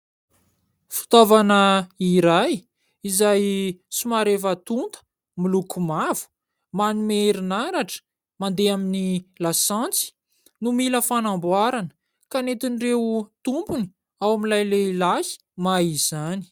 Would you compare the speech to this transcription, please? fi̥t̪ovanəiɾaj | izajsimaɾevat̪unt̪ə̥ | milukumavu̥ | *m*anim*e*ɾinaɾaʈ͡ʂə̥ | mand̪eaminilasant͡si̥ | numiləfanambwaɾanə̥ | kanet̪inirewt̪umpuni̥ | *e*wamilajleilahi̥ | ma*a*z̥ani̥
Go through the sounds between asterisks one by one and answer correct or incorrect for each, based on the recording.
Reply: correct, correct, incorrect: a, incorrect: i

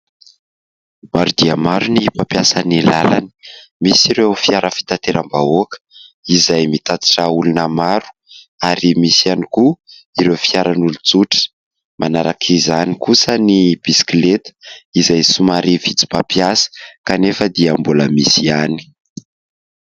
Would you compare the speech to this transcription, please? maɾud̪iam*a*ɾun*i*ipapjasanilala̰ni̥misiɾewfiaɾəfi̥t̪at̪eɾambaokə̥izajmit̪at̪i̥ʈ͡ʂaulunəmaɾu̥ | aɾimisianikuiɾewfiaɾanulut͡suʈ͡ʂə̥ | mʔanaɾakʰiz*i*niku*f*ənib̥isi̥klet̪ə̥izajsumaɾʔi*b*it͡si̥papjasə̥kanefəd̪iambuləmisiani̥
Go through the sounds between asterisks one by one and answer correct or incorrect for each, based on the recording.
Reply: correct, correct, incorrect: a, incorrect: s, incorrect: v

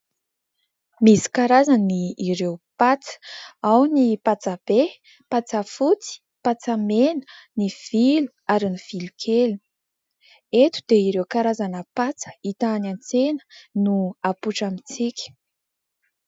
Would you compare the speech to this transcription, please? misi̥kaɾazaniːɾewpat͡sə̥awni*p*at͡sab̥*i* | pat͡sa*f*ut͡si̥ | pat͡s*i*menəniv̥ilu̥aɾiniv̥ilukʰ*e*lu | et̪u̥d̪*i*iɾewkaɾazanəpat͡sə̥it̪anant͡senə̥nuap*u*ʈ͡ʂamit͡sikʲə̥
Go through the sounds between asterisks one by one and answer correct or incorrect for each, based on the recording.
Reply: correct, incorrect: e, correct, incorrect: a, correct, incorrect: e, correct

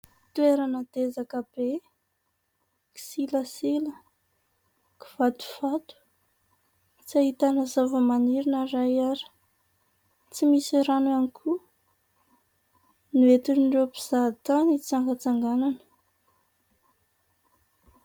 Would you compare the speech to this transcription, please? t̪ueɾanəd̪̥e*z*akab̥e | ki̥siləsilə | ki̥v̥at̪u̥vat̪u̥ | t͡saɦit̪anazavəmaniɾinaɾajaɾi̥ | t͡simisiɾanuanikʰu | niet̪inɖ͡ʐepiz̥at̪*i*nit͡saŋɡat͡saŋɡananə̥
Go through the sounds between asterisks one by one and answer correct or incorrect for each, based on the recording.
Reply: correct, incorrect: a

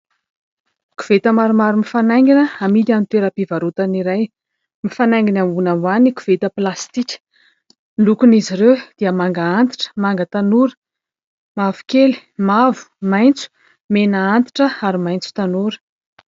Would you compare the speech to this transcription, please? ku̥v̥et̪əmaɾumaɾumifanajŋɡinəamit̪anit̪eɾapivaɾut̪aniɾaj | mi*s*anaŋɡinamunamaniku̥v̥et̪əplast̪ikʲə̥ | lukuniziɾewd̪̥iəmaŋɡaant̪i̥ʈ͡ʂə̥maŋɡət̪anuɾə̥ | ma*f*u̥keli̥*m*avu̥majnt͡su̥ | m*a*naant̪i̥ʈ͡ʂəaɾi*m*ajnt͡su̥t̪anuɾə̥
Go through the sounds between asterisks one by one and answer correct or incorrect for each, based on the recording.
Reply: incorrect: f, incorrect: v, correct, incorrect: e, correct

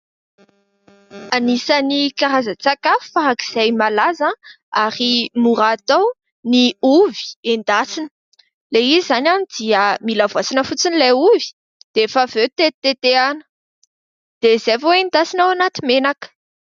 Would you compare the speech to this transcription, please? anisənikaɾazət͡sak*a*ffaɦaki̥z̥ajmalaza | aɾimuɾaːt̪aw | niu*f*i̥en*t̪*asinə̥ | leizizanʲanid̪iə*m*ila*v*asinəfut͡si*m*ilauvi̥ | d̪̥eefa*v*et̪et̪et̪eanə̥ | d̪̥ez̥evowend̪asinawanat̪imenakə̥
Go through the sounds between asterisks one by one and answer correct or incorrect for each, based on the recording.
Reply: correct, incorrect: v, incorrect: d̪, correct, correct, incorrect: n, correct

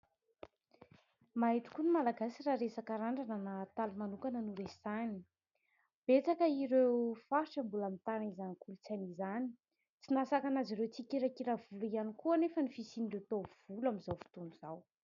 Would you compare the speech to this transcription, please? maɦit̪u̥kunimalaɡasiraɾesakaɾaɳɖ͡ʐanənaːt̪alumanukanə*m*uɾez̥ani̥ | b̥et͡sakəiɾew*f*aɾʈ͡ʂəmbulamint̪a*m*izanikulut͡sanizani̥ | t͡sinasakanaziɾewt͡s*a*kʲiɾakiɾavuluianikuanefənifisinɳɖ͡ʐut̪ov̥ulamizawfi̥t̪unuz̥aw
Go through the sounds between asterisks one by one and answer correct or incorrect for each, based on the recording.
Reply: incorrect: n, correct, incorrect: n, incorrect: i

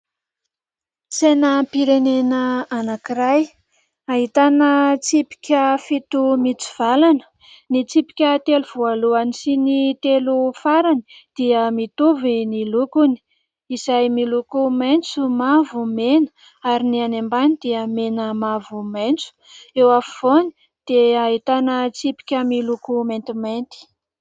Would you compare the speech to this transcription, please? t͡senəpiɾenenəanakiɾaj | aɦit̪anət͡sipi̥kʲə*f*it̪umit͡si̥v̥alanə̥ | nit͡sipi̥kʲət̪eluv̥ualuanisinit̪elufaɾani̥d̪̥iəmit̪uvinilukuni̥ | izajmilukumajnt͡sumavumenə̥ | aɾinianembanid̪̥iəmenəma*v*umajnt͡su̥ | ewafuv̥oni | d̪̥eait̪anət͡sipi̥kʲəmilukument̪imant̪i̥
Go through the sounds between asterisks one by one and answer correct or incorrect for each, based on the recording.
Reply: correct, correct

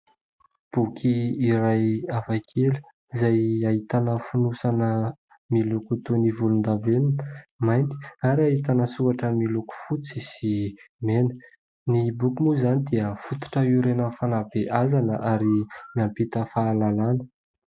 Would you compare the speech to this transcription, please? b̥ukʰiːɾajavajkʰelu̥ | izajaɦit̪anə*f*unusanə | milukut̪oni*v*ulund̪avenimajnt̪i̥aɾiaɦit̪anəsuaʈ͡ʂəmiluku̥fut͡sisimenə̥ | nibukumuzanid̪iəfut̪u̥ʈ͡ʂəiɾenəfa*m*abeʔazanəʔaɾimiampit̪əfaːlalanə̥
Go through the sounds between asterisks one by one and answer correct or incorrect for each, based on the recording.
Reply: correct, correct, incorrect: n

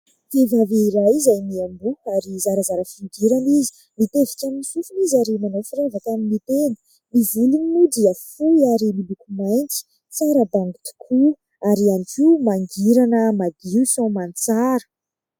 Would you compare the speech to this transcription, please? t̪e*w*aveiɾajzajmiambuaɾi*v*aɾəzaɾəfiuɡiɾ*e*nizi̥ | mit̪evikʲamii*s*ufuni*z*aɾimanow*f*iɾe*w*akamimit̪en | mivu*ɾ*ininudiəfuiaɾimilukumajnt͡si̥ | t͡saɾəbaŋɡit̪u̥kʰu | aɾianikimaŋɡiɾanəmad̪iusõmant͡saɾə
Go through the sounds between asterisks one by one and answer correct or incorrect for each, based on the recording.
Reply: incorrect: v, incorrect: z, incorrect: a, correct, correct, correct, incorrect: v, incorrect: l

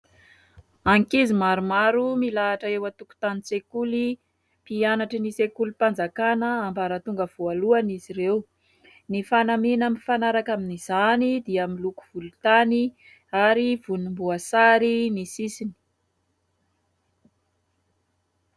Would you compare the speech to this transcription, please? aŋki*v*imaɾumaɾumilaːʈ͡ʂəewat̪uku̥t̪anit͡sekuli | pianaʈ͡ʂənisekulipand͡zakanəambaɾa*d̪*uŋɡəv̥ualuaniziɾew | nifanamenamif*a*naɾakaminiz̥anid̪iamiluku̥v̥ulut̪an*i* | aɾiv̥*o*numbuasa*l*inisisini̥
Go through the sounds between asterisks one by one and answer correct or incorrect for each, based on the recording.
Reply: incorrect: z, incorrect: t̪, correct, correct, incorrect: u, incorrect: ɾ

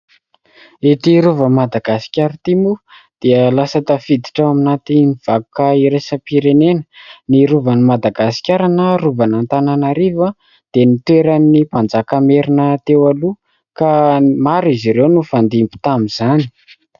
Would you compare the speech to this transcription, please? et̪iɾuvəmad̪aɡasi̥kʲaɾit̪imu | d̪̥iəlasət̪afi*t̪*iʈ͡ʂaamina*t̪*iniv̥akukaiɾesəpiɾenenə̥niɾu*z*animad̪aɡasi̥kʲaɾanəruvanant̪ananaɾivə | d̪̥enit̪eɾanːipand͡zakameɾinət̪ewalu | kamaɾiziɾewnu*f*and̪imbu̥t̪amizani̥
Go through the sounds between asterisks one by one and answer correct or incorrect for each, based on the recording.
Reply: incorrect: d̪, correct, incorrect: v, correct

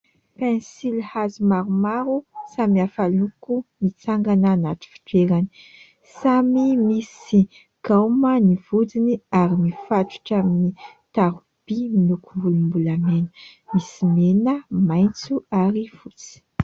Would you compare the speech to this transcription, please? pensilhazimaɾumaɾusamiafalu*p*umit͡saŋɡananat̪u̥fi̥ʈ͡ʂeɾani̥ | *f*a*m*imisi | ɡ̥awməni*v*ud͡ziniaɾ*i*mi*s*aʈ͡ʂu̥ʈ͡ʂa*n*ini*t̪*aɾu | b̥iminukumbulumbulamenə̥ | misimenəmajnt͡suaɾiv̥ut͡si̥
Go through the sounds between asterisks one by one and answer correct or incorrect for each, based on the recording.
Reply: incorrect: k, incorrect: s, correct, correct, correct, incorrect: f, incorrect: m, correct

